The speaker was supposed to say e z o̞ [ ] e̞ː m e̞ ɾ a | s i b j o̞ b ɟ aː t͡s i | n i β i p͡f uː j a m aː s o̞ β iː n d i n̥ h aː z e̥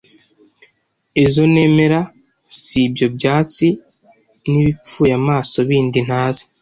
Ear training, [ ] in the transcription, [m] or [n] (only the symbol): n